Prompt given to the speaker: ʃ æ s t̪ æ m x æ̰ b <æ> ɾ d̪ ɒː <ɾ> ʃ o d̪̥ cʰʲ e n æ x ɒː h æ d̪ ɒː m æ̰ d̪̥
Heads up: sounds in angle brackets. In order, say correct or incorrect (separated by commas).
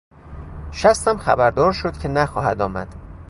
correct, correct